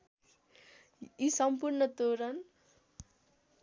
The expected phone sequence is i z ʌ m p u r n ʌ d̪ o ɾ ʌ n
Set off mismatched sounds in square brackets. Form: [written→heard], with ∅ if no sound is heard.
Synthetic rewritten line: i [z→s] ʌ m p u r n ʌ [d̪→t̪] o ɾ ʌ n